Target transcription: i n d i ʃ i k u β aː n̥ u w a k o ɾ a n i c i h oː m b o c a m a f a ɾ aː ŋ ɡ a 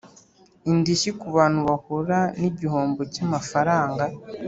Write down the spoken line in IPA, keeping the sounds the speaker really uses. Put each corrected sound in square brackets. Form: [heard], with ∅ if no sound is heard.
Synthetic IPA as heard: i n d i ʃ i k u β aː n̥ u [β] a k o ɾ a n i [ɟ] i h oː m b o c a m a f a ɾ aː ŋ ɡ a